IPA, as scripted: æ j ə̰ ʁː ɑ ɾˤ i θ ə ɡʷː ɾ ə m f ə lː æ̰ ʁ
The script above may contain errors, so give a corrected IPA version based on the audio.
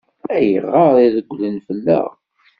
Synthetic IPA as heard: æ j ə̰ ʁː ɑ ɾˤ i ð ə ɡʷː l ə n f ə lː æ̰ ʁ

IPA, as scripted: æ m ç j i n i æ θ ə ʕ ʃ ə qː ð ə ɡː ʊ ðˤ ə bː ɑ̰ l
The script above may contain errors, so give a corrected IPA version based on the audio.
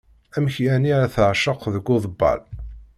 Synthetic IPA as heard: æ m ç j æ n i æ θ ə ʕ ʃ ə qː ð ə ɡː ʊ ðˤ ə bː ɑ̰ l

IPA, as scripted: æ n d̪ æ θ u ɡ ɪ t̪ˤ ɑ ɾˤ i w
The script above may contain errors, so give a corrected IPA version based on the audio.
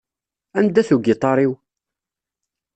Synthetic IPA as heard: æ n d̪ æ θ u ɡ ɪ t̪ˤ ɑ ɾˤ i w

